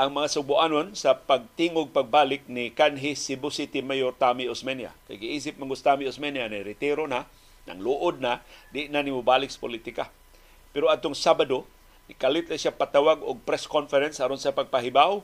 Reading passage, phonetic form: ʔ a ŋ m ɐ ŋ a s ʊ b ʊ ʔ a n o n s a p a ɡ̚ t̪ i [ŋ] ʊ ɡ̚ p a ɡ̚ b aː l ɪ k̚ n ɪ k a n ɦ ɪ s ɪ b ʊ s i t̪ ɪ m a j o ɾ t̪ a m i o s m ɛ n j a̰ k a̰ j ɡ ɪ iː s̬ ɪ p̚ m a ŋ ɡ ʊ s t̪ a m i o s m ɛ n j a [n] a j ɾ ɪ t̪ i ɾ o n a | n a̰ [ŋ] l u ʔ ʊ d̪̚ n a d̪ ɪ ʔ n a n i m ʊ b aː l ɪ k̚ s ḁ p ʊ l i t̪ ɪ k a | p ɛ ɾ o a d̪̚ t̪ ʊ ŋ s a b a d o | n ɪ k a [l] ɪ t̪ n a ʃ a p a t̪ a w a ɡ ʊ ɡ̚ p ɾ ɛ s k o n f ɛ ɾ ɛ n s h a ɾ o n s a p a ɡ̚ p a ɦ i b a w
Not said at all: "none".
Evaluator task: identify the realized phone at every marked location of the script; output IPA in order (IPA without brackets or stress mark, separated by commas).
ŋ, n, ŋ, l